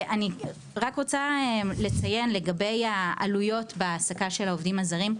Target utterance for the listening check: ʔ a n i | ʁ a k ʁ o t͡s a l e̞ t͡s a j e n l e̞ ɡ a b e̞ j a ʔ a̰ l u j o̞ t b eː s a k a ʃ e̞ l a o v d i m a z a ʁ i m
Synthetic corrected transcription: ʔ a n i | ʁ a k ʁ o t͡s a l e̞ t͡s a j e n l e̞ ɡ a b e̞ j a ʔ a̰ l u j o̞ t b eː s a k a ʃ e̞ l a o v d i m a z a ʁ i m